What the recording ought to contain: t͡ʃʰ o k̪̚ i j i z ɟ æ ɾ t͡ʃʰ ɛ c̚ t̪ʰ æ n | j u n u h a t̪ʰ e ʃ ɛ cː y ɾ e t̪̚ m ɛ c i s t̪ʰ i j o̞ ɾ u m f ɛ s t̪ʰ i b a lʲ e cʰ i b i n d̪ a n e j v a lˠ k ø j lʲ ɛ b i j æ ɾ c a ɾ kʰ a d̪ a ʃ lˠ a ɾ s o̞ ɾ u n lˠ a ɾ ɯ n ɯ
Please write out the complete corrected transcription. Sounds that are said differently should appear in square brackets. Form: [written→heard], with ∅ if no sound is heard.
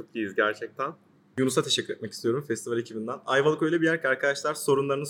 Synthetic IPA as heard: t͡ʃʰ o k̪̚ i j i z ɟ æ ɾ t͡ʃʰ ɛ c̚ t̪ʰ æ n | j u n u [h→s] a t̪ʰ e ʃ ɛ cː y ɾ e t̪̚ m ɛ c i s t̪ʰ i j o̞ ɾ u m f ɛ s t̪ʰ i [b→v] a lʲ e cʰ i b i n d̪ [a→æ] n [e→a] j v a lˠ k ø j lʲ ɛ b i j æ ɾ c a ɾ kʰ a d̪ a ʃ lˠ a ɾ s o̞ ɾ u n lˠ a ɾ ɯ n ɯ